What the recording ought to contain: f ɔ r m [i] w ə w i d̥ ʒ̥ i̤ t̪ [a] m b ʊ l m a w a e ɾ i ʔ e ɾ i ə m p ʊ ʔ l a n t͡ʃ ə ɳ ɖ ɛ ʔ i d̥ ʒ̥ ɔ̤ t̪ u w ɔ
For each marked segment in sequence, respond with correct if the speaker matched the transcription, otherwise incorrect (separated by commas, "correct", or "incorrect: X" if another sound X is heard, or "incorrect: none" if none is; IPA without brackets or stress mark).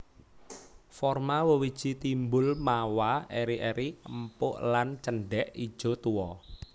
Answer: incorrect: a, incorrect: i